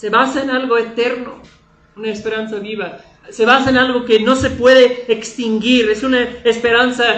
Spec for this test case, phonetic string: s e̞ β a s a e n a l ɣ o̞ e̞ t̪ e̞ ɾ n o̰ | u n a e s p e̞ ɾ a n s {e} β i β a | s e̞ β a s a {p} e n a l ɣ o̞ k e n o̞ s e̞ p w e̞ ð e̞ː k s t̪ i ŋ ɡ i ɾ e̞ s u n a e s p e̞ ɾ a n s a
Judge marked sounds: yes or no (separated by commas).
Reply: no, no